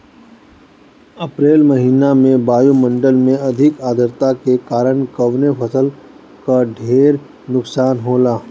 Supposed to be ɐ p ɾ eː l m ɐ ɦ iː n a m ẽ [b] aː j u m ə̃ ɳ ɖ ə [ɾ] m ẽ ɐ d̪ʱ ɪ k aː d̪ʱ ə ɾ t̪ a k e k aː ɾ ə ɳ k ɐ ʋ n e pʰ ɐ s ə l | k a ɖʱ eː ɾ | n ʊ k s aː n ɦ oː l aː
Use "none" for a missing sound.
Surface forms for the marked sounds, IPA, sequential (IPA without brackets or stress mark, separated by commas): b, l